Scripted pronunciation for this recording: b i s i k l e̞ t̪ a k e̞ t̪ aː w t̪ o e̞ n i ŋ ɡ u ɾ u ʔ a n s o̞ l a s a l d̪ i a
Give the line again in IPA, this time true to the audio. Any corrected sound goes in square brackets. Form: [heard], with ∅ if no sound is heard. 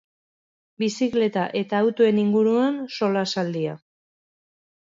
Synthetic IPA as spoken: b i s i k l e̞ t̪ a [ʔ] e̞ t̪ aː w t̪ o e̞ n i ŋ ɡ u ɾ u [∅] a n s o̞ l a s a l d̪ i a